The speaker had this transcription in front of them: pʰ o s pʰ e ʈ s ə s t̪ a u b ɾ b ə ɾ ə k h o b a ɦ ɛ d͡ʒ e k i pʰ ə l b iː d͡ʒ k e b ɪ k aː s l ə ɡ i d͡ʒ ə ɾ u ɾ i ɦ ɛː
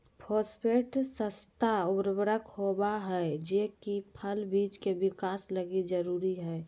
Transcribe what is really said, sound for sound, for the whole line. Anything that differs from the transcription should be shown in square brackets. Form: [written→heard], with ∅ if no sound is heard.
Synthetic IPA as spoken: pʰ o s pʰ e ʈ s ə s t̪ a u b ɾ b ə ɾ ə k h o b a ɦ ɛ d͡ʒ e k i pʰ ə l b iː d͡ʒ k e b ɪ k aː s l ə ɡ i d͡ʒ ə ɾ u ɾ i ɦ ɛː